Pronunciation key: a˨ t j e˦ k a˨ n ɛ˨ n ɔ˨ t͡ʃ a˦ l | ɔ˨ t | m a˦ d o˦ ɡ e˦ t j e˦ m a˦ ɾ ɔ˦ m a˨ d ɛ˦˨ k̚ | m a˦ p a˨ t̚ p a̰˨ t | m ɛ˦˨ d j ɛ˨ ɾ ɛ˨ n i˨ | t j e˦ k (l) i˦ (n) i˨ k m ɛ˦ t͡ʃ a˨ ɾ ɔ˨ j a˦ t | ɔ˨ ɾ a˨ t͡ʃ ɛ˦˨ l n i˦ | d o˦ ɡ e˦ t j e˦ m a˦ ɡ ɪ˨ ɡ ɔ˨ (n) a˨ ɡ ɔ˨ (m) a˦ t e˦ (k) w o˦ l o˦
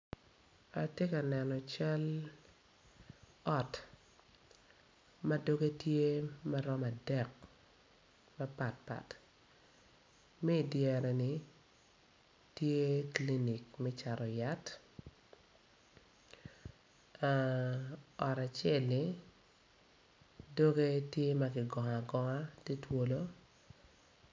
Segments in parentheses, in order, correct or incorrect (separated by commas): correct, correct, incorrect, incorrect, incorrect